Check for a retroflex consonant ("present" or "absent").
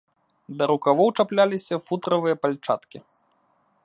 present